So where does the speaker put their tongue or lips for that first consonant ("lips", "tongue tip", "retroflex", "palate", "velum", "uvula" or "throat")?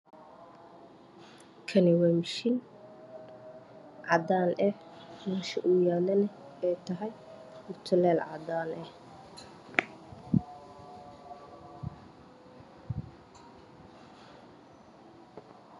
velum